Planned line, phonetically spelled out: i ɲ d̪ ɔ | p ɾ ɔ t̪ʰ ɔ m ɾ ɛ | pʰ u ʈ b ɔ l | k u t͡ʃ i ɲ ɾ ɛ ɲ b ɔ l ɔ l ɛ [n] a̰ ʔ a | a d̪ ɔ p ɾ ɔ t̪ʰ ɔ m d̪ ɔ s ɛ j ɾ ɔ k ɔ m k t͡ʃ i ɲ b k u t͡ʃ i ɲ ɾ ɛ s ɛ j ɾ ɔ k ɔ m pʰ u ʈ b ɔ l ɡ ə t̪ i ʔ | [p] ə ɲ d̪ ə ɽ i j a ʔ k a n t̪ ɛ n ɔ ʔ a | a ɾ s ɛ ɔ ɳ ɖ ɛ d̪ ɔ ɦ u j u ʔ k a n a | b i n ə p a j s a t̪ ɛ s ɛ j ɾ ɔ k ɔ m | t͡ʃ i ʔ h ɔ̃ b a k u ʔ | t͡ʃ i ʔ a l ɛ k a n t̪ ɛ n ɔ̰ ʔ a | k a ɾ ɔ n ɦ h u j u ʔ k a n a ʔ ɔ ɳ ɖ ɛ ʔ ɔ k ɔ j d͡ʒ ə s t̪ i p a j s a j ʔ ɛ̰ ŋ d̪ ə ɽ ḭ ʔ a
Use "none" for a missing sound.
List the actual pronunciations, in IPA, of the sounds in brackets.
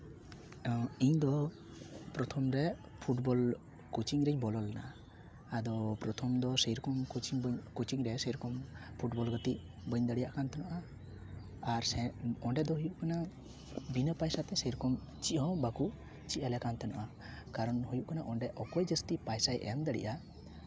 n, b

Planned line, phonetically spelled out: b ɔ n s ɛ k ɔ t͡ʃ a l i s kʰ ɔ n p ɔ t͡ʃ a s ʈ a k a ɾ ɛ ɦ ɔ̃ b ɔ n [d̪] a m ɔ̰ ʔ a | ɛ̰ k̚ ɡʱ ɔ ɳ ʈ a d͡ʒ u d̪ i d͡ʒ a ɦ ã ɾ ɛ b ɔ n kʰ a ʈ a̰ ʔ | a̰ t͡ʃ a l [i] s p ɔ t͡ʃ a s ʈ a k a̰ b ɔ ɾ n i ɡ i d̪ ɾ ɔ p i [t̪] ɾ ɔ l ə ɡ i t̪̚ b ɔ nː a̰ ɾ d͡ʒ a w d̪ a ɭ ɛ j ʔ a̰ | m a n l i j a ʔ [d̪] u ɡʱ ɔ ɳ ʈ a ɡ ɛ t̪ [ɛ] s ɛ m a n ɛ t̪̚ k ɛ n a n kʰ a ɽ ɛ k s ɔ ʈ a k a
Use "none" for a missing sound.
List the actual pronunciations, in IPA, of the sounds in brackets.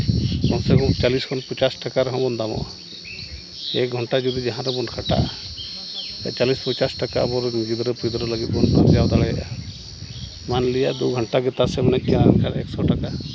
d̪, i, d̪, d̪, a

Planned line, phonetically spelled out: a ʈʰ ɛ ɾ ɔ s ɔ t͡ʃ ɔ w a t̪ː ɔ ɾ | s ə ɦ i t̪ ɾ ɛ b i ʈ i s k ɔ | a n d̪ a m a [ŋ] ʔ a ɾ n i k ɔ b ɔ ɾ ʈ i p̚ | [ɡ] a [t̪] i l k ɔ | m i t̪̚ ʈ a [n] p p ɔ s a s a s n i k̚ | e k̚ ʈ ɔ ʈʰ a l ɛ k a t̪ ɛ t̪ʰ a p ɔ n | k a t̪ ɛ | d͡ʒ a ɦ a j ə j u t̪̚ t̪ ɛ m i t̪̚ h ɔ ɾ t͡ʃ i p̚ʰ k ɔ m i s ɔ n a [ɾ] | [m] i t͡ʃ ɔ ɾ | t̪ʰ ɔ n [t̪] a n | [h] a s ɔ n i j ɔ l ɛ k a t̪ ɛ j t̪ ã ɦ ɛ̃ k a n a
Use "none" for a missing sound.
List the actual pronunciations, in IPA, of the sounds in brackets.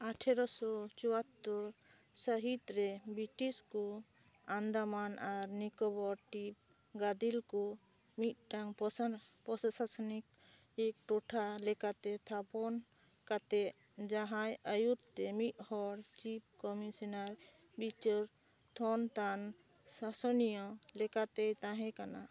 n, ɡ, d̪, ŋ, ɾ, b, t̪, s

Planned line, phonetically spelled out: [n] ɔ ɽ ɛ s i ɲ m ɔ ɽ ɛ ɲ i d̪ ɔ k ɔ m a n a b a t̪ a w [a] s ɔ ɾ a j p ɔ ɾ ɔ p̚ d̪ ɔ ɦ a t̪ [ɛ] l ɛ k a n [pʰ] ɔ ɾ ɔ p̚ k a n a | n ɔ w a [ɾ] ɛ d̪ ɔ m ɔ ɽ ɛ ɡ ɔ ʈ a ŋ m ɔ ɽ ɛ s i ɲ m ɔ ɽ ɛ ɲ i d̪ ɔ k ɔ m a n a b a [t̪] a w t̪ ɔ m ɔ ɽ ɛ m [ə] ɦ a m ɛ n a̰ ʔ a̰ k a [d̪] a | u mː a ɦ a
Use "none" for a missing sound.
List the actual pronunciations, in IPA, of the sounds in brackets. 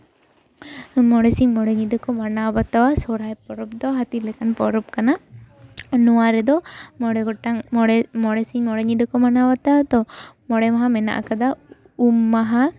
m, a, i, p, ɾ, t̪, a, d̪

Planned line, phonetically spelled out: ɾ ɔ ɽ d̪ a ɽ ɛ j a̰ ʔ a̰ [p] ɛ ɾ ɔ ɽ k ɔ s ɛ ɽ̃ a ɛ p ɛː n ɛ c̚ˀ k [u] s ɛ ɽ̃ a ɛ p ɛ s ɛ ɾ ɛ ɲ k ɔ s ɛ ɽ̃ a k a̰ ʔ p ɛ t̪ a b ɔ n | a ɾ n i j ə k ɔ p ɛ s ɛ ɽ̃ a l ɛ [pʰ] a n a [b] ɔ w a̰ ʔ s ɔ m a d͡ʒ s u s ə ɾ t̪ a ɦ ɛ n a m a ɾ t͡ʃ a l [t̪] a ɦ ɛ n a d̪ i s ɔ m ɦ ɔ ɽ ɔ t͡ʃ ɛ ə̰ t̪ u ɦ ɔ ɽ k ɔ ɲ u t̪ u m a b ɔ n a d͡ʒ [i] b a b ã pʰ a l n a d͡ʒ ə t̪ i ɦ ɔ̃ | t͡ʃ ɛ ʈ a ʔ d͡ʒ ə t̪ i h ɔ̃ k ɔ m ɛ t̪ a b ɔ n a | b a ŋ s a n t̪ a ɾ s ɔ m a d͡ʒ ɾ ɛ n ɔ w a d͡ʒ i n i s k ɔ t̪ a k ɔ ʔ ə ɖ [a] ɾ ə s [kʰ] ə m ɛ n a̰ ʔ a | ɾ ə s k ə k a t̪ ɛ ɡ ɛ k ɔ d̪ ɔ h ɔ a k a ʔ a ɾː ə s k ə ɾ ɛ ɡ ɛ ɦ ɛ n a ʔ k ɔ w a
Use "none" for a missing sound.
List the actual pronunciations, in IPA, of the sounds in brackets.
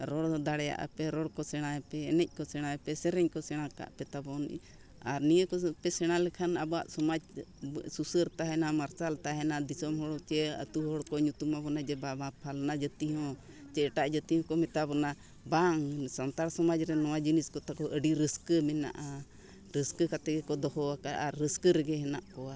p, ɔ, kʰ, b, t̪, ɛ, i, k

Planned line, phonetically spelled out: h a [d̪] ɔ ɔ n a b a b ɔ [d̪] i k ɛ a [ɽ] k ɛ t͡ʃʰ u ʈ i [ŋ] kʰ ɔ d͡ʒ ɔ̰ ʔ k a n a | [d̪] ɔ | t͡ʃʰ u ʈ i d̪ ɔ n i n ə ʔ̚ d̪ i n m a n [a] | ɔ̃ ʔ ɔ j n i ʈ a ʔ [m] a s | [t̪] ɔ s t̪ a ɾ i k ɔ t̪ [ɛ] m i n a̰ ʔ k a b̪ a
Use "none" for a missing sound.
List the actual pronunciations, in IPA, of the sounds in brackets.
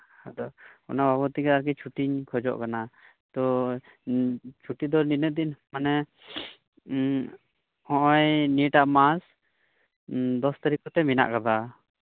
d̪, t̪, ɾ, ɲ, t̪, ɛ, m, d̪, ɛ

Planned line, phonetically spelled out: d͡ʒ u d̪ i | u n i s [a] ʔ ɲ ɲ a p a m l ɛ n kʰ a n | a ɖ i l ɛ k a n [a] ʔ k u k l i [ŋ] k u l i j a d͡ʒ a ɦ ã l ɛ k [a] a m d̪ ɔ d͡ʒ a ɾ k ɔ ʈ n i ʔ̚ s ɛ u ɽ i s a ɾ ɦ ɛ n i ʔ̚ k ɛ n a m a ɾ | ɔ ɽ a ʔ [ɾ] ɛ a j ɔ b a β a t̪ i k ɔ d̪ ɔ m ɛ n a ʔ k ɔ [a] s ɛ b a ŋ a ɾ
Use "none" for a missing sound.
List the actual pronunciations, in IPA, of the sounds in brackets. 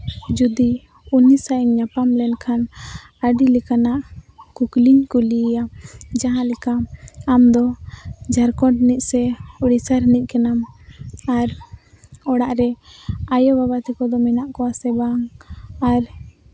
a, a, ɲ, a, ɾ, a

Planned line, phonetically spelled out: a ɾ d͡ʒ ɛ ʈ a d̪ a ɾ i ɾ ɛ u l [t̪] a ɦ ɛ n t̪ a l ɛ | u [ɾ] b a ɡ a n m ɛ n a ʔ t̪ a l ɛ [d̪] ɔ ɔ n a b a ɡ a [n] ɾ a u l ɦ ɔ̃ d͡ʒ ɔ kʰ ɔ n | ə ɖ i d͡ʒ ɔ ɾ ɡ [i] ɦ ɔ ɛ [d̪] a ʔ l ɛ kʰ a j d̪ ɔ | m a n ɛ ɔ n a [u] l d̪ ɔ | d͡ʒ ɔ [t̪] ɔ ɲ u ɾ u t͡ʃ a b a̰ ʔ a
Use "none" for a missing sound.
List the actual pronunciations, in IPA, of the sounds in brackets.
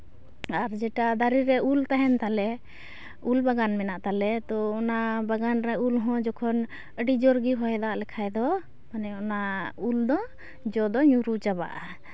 t̪, l, t̪, n, i, d̪, u, d̪

